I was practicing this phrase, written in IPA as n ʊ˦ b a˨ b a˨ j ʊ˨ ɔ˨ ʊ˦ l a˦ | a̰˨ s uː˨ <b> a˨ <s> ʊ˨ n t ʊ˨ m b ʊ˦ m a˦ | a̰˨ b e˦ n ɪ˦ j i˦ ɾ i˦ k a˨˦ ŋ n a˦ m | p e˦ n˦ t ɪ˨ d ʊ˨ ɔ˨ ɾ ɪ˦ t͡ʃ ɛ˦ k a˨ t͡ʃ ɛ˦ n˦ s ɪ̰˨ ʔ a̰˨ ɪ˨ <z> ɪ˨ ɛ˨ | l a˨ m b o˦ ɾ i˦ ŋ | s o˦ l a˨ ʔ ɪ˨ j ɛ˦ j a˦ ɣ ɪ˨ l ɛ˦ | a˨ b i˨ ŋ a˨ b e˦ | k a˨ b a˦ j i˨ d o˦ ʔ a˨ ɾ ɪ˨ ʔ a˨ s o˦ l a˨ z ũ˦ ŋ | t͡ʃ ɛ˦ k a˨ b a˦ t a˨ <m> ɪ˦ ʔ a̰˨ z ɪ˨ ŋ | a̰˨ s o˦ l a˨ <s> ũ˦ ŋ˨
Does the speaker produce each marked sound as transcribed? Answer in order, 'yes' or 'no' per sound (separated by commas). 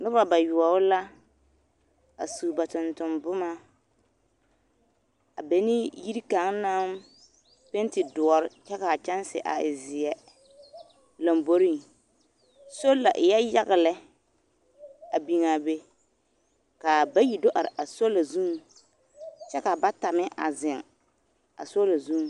yes, no, yes, yes, no